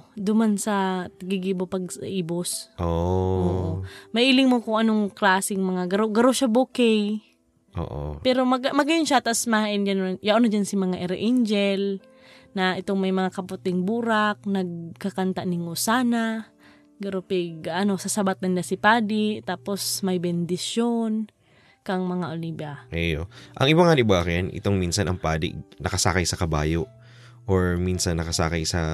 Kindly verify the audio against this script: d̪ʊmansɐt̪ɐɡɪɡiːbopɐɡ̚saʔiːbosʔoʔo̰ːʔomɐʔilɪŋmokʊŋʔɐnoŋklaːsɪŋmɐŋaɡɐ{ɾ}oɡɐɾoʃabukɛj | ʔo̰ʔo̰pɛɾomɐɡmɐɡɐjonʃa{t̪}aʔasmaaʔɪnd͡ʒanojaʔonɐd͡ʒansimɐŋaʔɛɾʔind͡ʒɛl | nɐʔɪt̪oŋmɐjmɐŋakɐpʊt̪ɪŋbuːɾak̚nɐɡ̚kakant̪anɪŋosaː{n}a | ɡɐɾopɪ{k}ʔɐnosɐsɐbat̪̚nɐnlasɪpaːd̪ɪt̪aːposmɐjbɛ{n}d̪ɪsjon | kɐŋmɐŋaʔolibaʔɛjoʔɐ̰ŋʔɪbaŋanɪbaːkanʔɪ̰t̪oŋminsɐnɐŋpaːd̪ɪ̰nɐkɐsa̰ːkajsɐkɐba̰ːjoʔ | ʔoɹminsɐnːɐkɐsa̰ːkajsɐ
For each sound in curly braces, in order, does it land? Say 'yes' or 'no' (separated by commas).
yes, yes, yes, no, yes